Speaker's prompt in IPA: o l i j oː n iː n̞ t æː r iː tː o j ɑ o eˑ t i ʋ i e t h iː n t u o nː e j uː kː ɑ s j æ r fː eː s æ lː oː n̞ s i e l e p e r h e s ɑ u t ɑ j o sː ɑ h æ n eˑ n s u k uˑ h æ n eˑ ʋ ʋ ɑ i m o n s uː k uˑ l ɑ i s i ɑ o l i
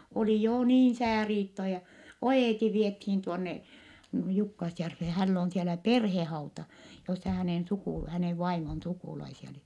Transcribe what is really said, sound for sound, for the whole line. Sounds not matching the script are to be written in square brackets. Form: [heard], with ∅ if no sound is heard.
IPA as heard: o l i j oː n iː n̞ [s] æː r iː tː o j ɑ o eˑ t i ʋ i e t h iː n t u o nː e j [u] kː ɑ s j æ r fː eː [h] æ lː oː n̞ s i e l [æ] p e r h e [h] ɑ u t ɑ j o sː ɑ h æ n eˑ n s u k uˑ h æ n eˑ ʋ ʋ ɑ i m o n s [u] k uˑ l ɑ i s i ɑ o l i